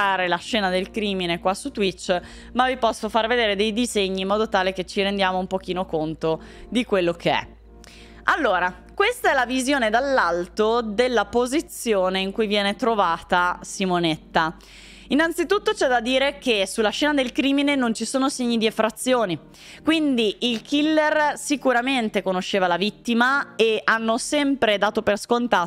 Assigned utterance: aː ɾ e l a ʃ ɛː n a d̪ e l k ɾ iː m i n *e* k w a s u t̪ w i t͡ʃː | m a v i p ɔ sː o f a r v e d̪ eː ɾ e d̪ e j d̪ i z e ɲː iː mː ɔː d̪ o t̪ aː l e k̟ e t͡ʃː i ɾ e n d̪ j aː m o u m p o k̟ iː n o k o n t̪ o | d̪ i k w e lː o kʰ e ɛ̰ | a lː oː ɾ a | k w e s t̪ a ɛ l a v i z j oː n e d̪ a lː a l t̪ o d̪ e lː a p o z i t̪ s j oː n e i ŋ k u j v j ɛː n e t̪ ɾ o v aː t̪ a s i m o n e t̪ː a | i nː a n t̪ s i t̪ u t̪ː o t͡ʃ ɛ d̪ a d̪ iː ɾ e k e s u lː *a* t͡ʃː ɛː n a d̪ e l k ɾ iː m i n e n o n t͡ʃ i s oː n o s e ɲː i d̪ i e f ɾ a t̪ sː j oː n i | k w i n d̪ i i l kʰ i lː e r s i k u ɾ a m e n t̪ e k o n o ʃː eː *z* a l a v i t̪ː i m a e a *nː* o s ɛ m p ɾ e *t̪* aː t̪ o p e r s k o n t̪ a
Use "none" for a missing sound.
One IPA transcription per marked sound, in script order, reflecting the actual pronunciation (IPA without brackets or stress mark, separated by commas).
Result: e, a, v, nː, d̪